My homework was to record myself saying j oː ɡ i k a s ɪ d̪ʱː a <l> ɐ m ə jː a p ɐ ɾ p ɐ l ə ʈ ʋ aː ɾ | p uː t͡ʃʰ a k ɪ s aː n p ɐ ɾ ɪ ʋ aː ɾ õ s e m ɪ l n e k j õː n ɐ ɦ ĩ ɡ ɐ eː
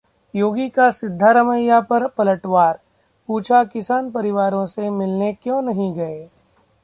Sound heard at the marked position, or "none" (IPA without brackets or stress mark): ɾ